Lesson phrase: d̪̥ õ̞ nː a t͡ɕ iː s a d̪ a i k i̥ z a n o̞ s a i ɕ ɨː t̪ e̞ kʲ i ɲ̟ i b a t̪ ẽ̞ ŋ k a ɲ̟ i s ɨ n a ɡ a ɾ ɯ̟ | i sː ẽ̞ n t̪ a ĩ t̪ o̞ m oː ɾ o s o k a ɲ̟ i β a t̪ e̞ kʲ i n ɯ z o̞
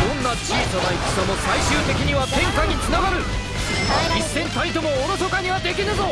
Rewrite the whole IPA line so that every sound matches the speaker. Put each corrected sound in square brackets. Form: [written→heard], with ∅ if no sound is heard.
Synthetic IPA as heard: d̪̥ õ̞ nː a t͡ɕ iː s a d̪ a i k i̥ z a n o̞ s a i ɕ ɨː t̪ e̞ kʲ i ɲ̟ i [b→β] a t̪ ẽ̞ ŋ k a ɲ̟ i [s→t͡s] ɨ n a ɡ a ɾ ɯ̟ | i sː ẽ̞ n t̪ a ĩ t̪ o̞ m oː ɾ o s o k a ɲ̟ i β a [t̪→d̪] e̞ kʲ i n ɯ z o̞